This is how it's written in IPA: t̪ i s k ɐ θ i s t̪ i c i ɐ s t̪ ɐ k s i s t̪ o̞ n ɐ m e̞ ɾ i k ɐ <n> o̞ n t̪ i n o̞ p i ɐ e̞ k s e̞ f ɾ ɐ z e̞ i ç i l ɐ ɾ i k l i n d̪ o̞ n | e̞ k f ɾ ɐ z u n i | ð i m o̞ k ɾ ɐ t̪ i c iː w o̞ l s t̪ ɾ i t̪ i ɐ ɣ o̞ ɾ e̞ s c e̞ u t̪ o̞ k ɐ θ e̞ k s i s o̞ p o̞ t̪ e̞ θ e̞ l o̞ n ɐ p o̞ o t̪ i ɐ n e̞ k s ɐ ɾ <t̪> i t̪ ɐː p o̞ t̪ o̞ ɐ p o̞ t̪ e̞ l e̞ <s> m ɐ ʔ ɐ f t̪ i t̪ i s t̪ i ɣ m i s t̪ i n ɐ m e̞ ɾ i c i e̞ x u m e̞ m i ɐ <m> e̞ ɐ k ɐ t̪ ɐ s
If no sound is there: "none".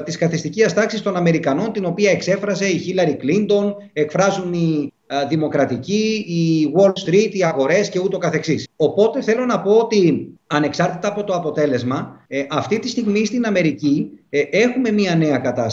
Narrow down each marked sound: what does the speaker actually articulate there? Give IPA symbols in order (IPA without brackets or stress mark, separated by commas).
n, t̪, z, n